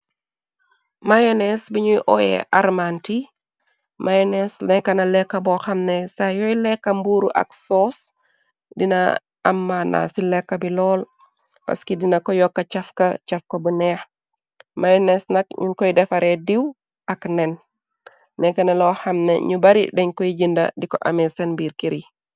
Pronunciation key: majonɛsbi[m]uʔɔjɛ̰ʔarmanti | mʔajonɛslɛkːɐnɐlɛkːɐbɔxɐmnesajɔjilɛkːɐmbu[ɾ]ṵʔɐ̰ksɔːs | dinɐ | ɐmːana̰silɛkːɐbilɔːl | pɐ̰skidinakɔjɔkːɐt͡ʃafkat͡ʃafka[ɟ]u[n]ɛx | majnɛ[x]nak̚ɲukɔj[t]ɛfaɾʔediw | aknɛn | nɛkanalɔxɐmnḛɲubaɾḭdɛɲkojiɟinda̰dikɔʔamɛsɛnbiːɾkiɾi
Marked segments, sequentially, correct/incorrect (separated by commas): incorrect, correct, incorrect, correct, incorrect, incorrect